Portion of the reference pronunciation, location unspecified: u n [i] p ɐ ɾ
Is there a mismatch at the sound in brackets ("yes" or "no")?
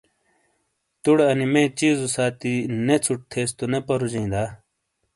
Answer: yes